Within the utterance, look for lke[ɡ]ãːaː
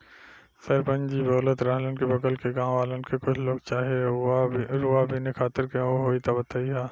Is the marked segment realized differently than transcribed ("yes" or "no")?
no